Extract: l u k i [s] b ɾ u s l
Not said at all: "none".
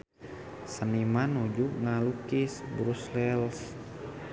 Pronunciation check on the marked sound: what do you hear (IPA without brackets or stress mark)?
s